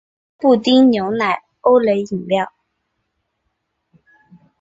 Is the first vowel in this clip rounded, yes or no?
yes